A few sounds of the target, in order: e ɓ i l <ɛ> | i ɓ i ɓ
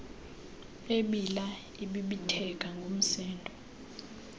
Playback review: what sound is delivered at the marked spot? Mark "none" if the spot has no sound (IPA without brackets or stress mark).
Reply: a